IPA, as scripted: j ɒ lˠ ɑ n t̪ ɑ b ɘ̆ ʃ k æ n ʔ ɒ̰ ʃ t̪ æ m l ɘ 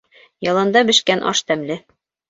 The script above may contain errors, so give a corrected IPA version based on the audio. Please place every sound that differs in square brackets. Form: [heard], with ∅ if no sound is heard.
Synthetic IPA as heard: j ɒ lˠ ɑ n [d̪] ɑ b ɘ̆ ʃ k æ n ʔ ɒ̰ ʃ t̪ æ m l ɘ